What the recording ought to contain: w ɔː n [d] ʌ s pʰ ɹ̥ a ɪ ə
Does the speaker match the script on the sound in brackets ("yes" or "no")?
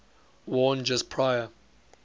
no